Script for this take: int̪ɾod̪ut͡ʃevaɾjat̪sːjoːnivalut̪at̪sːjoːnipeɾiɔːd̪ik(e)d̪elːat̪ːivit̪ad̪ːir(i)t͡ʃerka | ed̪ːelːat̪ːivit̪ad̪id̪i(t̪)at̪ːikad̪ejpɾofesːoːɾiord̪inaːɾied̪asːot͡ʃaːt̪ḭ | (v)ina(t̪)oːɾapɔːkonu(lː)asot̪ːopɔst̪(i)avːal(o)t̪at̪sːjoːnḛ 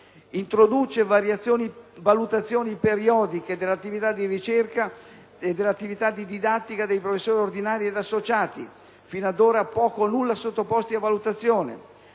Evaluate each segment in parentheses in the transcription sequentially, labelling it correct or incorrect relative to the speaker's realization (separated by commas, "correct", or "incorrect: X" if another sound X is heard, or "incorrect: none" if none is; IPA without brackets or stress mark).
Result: correct, correct, incorrect: d̪, incorrect: f, incorrect: d̪, correct, correct, incorrect: u